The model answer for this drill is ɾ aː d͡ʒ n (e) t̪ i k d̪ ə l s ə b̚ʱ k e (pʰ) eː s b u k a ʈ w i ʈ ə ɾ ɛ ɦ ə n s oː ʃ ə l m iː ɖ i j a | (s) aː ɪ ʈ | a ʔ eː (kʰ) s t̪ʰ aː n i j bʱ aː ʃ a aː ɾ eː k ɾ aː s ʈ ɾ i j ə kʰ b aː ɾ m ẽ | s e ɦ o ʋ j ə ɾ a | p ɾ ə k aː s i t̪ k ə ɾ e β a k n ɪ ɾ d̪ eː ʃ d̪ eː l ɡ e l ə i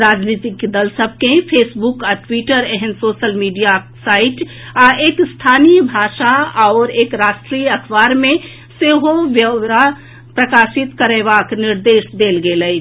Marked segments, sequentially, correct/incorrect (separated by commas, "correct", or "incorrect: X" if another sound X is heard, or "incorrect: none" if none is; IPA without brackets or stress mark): incorrect: i, correct, correct, incorrect: k